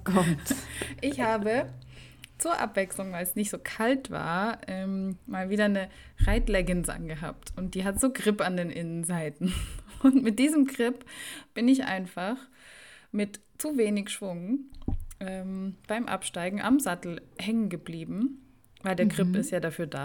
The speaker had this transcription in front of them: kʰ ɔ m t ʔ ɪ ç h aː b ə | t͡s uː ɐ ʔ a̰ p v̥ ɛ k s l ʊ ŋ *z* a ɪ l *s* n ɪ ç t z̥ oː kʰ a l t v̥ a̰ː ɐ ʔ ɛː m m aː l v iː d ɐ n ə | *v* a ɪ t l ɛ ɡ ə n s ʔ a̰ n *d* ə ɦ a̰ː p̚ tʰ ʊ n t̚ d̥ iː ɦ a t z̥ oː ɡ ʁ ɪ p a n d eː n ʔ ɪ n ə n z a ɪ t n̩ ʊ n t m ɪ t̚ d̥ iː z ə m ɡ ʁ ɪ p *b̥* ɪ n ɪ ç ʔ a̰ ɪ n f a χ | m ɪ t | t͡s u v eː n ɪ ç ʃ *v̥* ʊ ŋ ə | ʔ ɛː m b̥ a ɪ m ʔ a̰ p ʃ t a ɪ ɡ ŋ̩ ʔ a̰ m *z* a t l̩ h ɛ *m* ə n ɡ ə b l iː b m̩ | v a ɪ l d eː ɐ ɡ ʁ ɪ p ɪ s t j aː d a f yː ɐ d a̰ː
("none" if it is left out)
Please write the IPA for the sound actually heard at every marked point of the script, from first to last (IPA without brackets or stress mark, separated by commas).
v, s, ʁ, ɡ, b̥, v̥, z, ŋ